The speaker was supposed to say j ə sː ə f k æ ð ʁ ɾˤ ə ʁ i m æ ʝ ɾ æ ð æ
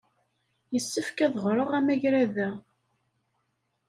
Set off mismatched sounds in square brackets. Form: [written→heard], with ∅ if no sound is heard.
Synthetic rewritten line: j ə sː ə f k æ ð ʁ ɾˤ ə ʁ [i→æ] m æ ʝ ɾ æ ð æ